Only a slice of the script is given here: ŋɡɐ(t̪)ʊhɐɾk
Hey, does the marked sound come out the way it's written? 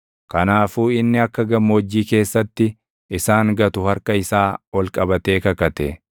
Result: yes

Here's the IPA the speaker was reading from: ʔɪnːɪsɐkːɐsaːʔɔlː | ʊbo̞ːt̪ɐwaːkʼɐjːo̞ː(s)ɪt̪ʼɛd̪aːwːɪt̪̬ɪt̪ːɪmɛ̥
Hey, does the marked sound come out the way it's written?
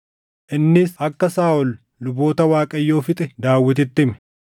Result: no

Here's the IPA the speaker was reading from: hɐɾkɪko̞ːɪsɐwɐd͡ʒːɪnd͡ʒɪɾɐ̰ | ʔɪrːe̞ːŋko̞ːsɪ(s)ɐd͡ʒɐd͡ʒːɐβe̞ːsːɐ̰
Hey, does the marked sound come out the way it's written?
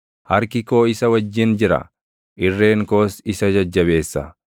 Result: yes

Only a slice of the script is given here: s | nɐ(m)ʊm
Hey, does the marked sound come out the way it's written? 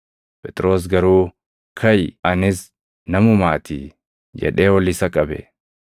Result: yes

